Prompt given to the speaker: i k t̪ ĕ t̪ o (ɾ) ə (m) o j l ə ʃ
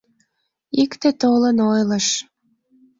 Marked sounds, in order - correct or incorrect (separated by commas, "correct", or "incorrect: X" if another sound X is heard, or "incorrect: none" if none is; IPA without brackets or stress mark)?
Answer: incorrect: l, incorrect: n